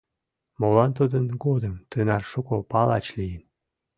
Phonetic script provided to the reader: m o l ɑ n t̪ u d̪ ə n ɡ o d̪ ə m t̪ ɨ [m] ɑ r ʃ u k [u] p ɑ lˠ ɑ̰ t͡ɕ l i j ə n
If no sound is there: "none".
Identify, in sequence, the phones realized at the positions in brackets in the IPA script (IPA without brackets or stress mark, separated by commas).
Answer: n, o